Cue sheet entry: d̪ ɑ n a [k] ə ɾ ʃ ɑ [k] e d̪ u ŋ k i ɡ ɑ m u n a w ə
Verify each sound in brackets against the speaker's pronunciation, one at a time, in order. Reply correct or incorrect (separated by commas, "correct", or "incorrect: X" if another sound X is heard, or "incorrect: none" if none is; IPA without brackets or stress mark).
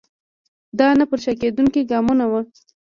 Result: incorrect: p, correct